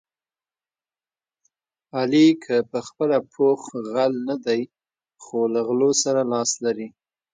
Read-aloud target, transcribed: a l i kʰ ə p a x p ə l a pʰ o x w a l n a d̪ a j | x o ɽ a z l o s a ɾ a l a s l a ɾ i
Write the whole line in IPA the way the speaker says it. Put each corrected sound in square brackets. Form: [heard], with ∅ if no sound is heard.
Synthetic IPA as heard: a l i kʰ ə p [ə] x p ə l a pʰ o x [ɣ] a l n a d̪ a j | x o [l] a [ɣ] l o s a ɾ a l [ɑ] s l a ɾ i